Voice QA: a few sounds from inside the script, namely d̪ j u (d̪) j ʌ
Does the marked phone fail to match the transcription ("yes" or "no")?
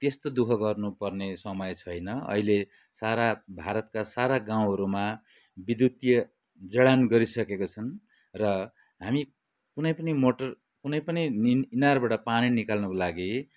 yes